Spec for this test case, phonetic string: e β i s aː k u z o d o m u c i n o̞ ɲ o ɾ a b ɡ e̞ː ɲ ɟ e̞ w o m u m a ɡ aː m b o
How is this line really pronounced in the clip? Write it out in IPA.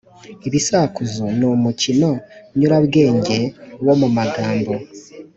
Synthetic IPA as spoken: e β i s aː k u z o n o m u c i n o̞ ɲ u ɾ a β ɡ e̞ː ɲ ɟ e̞ w o m u m a ɡ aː m b o